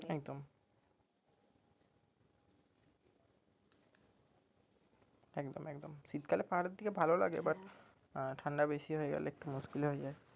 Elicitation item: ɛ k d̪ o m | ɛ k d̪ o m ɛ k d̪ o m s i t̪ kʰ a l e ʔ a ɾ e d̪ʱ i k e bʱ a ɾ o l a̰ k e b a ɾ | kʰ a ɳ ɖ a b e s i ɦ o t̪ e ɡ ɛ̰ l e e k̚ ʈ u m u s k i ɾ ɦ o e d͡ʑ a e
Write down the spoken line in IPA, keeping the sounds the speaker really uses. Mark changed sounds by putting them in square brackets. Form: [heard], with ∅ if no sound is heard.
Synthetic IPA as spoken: ɛ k d̪ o m | ɛ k d̪ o m ɛ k d̪ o m s i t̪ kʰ a l e [p] a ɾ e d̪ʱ i k e bʱ a [l] o l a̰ [ɡ] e b a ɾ | [ʈʰ] a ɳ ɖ a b e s i ɦ o [∅] e ɡ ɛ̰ l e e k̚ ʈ u m u s k i [l] ɦ o e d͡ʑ a e